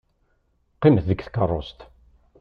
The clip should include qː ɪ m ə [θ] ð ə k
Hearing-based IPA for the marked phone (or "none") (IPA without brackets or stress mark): θ